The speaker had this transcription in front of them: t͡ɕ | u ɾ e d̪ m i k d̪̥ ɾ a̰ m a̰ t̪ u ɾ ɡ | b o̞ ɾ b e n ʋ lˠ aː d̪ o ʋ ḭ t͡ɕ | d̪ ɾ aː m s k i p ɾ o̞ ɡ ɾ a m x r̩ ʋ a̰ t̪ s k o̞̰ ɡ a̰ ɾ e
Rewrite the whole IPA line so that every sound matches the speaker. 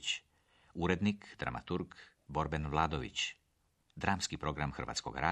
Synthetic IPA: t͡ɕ | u ɾ e d̪ n i k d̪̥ ɾ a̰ m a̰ t̪ u ɾ ɡ | b o̞ ɾ b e n ʋ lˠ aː d̪ o ʋ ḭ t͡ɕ | d̪ ɾ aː m s k i p ɾ o̞ ɡ ɾ a m x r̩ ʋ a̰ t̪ s k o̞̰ ɡ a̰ ɾ a